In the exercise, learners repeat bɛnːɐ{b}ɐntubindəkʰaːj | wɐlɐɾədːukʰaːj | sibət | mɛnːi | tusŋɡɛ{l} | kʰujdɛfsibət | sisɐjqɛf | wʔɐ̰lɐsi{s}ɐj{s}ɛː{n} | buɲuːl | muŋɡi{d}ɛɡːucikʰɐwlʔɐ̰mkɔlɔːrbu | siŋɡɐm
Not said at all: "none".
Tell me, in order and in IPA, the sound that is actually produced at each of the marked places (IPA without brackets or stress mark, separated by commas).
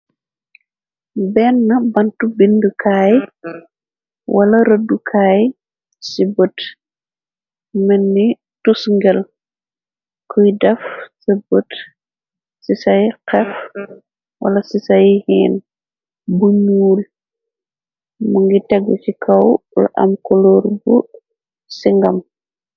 b, l, s, h, n, t